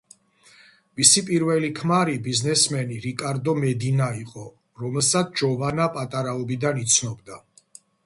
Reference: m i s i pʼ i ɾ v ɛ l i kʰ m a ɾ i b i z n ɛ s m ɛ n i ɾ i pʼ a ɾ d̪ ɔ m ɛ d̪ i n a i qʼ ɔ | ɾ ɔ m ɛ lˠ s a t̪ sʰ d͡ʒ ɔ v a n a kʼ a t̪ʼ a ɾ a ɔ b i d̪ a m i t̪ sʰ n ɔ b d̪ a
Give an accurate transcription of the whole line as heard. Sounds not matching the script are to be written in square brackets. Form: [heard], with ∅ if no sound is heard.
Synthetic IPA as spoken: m i s i pʼ i ɾ v ɛ l i kʰ m a ɾ i b i z n ɛ s m ɛ n i ɾ i [kʼ] a ɾ d̪ ɔ m ɛ d̪ i n a i qʼ ɔ | ɾ ɔ m ɛ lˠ s a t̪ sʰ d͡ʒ ɔ v a n a [pʼ] a t̪ʼ a ɾ a ɔ b i d̪ a [n] i t̪ sʰ n ɔ b d̪ a

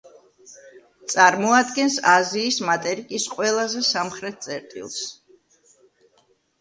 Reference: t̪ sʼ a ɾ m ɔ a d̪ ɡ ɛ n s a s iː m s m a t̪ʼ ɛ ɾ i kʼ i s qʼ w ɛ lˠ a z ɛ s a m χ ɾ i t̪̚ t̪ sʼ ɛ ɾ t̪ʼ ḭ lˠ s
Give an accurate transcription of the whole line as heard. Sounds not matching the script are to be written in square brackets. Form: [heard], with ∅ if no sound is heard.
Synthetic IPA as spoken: t̪ sʼ a ɾ m ɔ a d̪ ɡ ɛ n s a [z] iː [∅] s m a t̪ʼ ɛ ɾ i kʼ i s qʼ w ɛ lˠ a z ɛ s a m χ ɾ [ɛ] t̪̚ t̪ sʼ ɛ ɾ t̪ʼ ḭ lˠ s

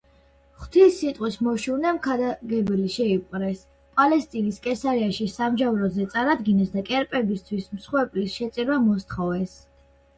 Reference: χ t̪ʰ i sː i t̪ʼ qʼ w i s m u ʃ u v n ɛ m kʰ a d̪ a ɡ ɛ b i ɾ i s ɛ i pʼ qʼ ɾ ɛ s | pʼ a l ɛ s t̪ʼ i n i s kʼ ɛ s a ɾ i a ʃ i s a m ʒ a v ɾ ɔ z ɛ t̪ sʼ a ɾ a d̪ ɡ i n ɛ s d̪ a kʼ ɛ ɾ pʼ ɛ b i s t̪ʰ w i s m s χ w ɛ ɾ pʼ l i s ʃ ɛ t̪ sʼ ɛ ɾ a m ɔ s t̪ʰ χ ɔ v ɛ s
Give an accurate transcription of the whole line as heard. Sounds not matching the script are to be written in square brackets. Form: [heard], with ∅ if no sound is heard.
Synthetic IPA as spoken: χ t̪ʰ i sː i t̪ʼ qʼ w i s m [ɔ] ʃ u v n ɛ m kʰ a d̪ a ɡ ɛ b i [l] i [ʃ] ɛ i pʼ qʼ ɾ ɛ s | pʼ a l ɛ s t̪ʼ i n i s kʼ ɛ s a ɾ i a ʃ i s a m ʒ a v ɾ ɔ z ɛ t̪ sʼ a ɾ a d̪ ɡ i n ɛ s d̪ a kʼ ɛ ɾ pʼ ɛ b i s t̪ʰ w i s m s χ w ɛ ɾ pʼ l i s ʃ ɛ t̪ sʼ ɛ ɾ a m ɔ s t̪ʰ χ ɔ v ɛ s

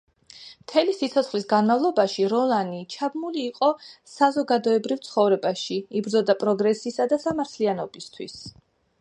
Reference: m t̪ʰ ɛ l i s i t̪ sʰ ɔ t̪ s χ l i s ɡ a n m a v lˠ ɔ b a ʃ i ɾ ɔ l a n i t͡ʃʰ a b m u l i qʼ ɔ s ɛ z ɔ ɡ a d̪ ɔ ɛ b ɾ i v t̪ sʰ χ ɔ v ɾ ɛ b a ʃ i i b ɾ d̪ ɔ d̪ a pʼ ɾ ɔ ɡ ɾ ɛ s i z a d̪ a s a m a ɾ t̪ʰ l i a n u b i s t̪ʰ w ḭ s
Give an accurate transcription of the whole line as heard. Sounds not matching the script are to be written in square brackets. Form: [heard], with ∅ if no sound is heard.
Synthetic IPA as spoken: m t̪ʰ ɛ l i s i t̪ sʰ ɔ t̪ s χ l i s ɡ a n m a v lˠ ɔ b a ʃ i ɾ ɔ l a n i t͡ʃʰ a b m u l [iː] qʼ ɔ s [a] z ɔ ɡ a d̪ ɔ ɛ b ɾ i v t̪ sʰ χ ɔ v ɾ ɛ b a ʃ i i b ɾ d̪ ɔ d̪ a pʼ ɾ ɔ ɡ ɾ ɛ s i [s] a d̪ a s a m a ɾ t̪ʰ l i a n [ɔ] b i s t̪ʰ w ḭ s

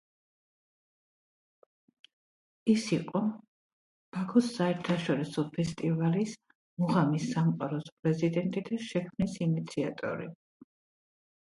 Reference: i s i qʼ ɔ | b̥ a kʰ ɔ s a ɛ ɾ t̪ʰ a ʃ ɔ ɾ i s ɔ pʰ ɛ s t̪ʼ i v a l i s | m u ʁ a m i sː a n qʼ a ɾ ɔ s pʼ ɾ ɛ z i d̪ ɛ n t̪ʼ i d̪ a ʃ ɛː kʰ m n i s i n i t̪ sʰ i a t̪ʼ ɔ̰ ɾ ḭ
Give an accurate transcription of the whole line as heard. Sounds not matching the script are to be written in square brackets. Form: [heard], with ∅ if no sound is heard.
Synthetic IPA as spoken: i s i qʼ ɔ | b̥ a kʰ ɔ s a ɛ ɾ t̪ʰ a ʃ ɔ ɾ i s ɔ pʰ ɛ s t̪ʼ i v a l i s | m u ʁ a m i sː a [m] qʼ a ɾ ɔ s pʼ ɾ ɛ z i d̪ ɛ n t̪ʼ i d̪ a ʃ [ɛ] kʰ m n i s i n i t̪ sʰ i a t̪ʼ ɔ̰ ɾ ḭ

